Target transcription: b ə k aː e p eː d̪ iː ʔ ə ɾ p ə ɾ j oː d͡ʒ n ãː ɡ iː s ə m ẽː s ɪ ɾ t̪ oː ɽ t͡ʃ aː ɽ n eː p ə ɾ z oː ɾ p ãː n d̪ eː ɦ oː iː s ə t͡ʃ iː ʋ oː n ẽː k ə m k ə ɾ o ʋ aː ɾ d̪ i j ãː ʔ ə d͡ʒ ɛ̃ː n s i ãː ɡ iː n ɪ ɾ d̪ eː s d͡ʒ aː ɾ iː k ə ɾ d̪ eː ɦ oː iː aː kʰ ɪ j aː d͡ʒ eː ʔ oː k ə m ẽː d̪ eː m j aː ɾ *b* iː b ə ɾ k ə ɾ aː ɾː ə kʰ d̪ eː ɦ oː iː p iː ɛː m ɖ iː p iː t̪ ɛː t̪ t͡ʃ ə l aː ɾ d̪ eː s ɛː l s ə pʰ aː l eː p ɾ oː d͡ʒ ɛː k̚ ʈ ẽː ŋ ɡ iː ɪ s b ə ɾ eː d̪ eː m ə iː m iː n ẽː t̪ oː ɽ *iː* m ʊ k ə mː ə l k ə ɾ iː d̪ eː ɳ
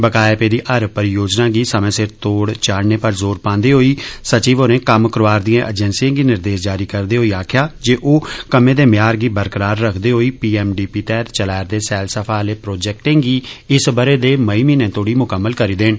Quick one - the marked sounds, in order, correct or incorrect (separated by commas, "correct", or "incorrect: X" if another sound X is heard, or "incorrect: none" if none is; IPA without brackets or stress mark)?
incorrect: ɡ, correct